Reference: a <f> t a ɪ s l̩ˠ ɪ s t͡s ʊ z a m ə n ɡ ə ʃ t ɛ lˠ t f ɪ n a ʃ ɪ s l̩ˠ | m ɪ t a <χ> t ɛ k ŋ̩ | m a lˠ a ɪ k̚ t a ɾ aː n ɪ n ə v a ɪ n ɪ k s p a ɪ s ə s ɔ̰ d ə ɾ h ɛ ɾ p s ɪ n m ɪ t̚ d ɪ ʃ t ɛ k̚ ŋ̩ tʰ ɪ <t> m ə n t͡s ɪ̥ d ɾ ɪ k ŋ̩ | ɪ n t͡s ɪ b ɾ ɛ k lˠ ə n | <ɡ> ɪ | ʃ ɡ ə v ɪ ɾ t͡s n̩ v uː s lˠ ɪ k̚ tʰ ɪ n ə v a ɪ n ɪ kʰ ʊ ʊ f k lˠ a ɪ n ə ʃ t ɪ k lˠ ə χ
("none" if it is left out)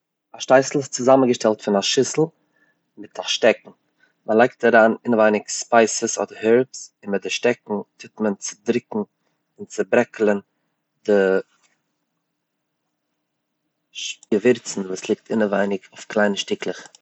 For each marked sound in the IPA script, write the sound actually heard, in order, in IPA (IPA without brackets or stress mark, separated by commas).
ʃ, ʃ, t, d